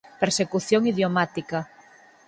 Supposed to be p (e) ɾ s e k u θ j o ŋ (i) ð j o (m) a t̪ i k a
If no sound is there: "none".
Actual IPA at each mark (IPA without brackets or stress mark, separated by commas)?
e, i, m